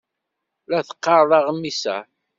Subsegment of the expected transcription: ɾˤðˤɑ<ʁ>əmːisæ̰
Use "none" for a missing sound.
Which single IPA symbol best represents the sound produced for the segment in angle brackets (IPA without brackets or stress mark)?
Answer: ʁ